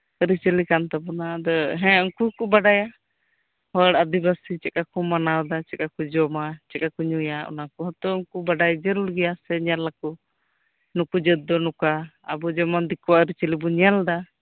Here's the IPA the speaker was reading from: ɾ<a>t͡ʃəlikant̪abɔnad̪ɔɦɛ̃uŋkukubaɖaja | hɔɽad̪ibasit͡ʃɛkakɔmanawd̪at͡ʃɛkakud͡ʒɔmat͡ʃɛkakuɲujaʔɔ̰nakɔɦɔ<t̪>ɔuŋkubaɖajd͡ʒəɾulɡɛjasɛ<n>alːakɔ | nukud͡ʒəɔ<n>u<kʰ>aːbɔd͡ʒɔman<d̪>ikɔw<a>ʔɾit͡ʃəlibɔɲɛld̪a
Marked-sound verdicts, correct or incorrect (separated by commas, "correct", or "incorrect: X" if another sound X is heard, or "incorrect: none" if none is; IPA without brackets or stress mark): incorrect: i, correct, incorrect: ɲ, correct, incorrect: k, correct, correct